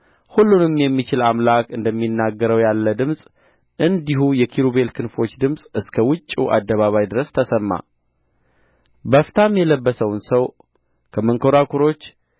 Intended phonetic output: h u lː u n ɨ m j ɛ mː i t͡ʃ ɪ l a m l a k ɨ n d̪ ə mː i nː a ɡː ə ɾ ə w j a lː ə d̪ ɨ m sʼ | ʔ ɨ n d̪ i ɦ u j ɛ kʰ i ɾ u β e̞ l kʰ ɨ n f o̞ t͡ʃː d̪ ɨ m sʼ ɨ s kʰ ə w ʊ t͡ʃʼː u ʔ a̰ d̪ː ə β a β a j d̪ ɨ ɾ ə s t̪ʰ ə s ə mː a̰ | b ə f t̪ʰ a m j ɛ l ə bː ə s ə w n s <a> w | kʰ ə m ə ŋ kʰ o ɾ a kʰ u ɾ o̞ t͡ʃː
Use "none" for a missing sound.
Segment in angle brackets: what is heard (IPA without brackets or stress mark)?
ə